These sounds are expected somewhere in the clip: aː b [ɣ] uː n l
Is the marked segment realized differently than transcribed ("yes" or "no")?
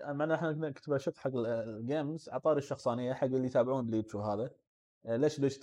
yes